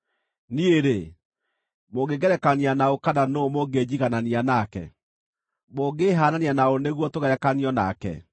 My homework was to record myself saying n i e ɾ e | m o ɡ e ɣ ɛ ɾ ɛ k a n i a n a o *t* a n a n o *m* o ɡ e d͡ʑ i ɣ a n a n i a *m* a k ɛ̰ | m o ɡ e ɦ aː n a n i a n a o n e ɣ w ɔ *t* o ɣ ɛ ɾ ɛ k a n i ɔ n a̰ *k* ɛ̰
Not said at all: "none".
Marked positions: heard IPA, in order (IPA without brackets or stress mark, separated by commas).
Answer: k, m, n, t, k